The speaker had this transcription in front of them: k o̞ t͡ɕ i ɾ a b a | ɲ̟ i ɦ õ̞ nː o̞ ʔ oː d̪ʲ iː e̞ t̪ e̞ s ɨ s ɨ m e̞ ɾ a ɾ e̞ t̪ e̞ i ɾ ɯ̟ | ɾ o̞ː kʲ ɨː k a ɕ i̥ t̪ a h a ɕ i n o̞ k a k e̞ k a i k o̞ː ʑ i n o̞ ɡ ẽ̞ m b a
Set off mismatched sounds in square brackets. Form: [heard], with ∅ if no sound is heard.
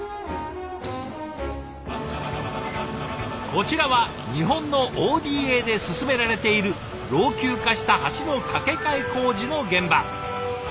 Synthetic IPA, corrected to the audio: k o̞ t͡ɕ i ɾ a [β] a | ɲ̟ i ɦ õ̞ nː o̞ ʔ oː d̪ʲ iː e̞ [d̪] e̞ s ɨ s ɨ m e̞ ɾ a ɾ e̞ t̪ e̞ i ɾ ɯ̟ | ɾ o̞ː kʲ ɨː k a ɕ i̥ t̪ a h a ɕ i n o̞ k a k e̞ k a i k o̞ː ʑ i n o̞ ɡ ẽ̞ m b a